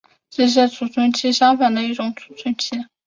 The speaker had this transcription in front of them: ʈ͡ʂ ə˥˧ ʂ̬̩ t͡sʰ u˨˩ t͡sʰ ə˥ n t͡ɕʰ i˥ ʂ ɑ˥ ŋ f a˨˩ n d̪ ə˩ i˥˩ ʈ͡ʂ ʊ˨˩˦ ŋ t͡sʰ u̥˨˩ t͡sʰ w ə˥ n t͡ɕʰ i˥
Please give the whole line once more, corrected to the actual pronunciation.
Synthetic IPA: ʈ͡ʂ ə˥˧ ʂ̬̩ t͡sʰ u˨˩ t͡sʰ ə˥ n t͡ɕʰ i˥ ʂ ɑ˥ ŋ f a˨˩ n d̪ ə˦ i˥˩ ʈ͡ʂ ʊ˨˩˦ ŋ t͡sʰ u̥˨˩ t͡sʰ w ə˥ n t͡ɕʰ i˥